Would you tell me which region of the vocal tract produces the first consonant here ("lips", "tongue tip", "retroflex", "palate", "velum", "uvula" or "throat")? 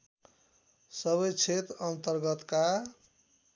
tongue tip